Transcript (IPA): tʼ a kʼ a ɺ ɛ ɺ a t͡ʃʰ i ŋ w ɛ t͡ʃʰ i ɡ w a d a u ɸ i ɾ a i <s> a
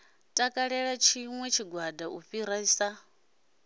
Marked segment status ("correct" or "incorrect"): correct